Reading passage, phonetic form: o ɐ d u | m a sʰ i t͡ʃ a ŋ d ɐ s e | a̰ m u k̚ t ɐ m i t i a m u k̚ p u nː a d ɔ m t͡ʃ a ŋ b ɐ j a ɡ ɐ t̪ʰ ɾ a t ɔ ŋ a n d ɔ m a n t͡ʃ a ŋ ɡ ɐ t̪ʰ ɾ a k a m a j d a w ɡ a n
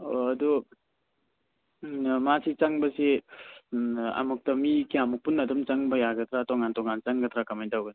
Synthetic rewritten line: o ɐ d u | m a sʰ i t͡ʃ a ŋ b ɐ s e | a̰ m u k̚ t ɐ m i k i a m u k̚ p u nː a d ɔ m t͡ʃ a ŋ b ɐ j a ɡ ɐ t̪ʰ ɾ a t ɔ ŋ a n t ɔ ŋ a n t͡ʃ a ŋ ɡ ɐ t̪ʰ ɾ a k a m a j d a w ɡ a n